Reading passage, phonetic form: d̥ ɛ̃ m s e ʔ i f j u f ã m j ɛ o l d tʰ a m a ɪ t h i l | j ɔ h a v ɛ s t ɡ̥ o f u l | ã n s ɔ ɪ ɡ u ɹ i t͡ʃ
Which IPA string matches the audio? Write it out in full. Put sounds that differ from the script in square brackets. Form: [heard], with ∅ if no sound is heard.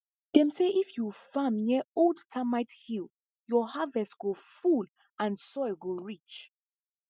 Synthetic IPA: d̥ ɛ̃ m s e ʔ i f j u f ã m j ɛ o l d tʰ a m a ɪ t h i l | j ɔ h a v ɛ s t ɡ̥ o f u l | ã n s ɔ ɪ ɡ [o] ɹ i t͡ʃ